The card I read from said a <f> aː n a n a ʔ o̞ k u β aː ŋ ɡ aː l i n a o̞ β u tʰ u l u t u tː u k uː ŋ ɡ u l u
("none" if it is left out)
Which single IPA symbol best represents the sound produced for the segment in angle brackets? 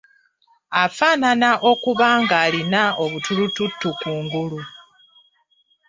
f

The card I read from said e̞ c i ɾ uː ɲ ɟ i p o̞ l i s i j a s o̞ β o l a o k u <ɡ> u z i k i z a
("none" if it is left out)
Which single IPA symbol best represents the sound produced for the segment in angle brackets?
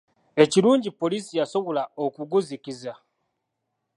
ɡ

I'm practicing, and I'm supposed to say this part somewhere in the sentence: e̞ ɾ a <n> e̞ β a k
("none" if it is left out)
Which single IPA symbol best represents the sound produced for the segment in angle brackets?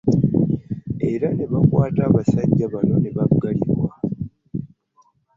n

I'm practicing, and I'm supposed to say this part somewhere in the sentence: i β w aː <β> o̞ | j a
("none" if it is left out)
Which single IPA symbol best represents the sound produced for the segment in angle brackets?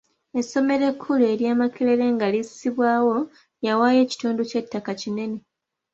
w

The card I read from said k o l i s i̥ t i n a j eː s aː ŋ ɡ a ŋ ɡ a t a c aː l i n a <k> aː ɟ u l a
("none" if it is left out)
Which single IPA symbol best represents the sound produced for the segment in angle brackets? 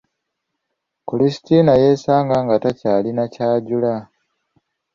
c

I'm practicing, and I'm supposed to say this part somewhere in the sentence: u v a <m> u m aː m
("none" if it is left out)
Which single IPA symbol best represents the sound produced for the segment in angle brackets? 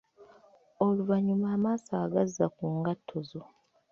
ɲ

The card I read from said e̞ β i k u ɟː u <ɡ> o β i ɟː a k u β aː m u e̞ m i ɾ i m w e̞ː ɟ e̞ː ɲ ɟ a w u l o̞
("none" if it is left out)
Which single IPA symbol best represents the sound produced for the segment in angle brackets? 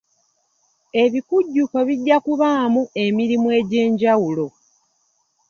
k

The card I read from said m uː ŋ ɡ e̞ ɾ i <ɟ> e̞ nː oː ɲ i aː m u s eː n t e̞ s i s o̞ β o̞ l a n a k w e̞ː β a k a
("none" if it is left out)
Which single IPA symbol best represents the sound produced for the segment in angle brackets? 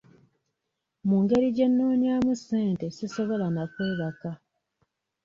ɟ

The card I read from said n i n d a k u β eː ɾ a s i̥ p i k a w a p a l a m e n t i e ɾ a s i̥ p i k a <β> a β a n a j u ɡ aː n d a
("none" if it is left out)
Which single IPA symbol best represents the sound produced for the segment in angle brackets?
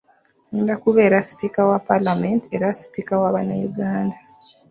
w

